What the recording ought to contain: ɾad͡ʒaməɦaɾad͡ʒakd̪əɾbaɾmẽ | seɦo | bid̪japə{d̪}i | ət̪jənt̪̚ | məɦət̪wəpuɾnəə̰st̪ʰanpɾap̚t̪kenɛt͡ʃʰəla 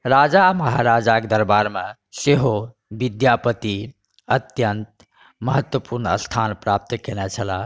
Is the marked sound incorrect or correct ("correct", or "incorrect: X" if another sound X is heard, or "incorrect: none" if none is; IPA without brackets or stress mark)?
incorrect: t̪